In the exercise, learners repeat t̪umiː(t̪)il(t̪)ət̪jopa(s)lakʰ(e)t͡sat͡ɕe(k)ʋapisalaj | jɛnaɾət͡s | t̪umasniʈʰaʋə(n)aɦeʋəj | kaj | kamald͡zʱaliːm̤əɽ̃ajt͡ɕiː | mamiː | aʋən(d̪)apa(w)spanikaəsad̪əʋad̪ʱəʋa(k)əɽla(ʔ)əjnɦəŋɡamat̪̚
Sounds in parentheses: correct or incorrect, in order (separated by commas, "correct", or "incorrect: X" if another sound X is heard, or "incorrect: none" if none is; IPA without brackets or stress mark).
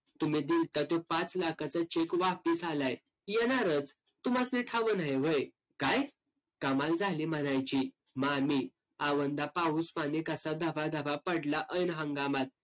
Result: incorrect: d̪, correct, incorrect: t͡s, incorrect: a, correct, correct, correct, incorrect: u, incorrect: p, correct